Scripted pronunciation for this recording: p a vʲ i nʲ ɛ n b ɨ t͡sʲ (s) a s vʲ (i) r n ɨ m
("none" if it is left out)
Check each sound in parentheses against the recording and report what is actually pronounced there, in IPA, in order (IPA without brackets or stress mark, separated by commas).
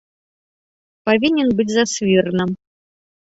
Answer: z, i